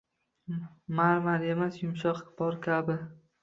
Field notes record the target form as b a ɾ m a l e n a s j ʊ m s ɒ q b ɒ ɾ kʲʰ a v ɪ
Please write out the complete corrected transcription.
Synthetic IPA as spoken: m a ɾ m a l e m a s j ʊ m ʃ ɒ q b ɒ ɾ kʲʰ a b ɪ